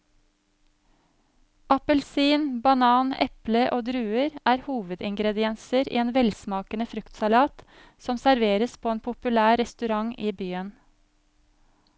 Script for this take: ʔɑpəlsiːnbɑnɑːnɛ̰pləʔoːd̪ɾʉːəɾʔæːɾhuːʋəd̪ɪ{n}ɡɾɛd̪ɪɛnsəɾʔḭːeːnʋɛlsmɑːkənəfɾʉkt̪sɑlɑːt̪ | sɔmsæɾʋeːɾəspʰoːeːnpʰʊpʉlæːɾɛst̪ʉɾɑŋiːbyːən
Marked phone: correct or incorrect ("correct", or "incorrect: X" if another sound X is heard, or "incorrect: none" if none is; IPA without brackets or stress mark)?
incorrect: ŋ